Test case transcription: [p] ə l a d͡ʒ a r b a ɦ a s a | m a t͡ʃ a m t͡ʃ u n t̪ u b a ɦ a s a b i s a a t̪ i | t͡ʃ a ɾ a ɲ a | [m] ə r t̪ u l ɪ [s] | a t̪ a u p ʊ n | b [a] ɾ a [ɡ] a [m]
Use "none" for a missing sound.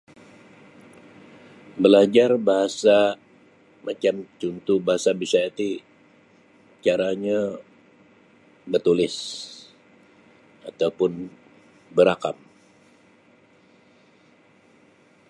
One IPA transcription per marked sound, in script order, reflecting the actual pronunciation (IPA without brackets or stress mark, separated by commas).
b, b, s, ə, k, m